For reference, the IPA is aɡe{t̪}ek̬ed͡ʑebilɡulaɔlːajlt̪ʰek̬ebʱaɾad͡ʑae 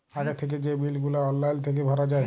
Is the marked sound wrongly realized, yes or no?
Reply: yes